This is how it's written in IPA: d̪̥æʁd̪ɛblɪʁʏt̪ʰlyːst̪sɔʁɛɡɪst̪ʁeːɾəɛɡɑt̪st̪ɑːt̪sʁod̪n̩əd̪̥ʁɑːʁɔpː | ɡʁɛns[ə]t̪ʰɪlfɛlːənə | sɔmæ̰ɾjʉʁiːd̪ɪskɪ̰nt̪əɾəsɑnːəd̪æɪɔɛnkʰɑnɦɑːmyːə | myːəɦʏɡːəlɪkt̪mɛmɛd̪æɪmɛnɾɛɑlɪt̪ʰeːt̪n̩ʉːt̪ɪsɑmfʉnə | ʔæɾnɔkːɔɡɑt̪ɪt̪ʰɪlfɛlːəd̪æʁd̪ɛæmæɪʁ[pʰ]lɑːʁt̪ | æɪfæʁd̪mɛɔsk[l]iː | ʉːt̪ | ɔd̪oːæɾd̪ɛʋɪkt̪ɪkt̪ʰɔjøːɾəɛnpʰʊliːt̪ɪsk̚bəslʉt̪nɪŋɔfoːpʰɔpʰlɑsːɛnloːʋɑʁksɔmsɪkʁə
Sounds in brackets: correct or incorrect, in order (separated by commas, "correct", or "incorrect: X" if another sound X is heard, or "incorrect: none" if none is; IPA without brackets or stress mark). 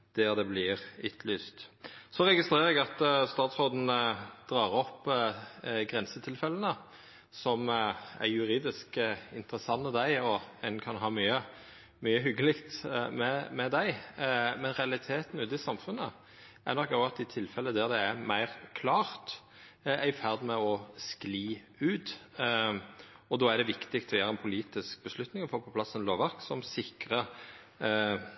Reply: correct, incorrect: kʰ, correct